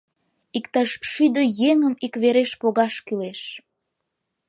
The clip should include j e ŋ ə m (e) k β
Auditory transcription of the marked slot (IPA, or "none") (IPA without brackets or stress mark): i